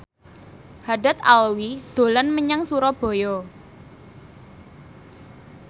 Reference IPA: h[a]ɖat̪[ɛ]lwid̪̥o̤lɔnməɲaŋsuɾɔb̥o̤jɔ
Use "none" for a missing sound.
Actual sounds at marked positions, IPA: a, a

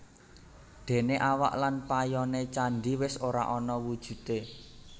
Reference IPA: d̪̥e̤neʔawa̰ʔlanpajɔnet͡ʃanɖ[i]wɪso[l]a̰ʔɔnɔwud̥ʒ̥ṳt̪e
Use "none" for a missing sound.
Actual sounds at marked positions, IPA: i, ɾ

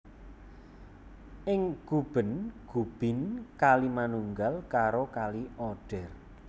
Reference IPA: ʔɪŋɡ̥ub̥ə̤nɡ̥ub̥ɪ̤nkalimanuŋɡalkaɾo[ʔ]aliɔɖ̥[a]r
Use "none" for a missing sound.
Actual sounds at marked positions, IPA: k, ɛ

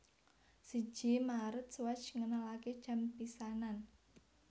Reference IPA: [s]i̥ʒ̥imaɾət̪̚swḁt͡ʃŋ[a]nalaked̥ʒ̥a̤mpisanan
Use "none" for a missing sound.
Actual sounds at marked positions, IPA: s, ə

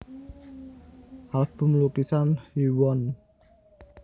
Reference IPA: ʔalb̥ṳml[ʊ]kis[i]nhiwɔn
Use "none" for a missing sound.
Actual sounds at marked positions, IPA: u, a

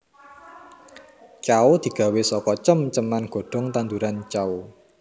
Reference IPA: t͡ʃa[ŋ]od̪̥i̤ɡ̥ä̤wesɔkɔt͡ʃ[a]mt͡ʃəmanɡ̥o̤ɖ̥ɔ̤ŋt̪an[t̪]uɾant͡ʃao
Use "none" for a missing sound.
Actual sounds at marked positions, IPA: none, ə, d̪

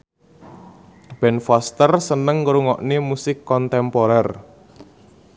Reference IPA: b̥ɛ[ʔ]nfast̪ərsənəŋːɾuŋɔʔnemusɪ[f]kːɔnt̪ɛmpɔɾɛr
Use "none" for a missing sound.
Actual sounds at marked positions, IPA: none, none

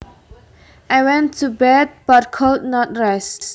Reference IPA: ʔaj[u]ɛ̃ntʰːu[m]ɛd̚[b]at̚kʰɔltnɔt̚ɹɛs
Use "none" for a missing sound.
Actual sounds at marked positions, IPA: w, b, b

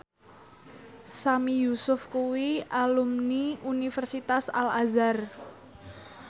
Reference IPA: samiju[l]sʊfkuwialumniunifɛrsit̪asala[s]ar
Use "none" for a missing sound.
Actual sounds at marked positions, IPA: none, z

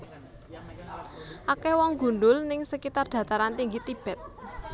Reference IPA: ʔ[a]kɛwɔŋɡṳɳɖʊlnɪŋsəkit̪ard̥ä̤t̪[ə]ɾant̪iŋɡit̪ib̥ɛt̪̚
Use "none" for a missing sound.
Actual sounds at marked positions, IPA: a, a

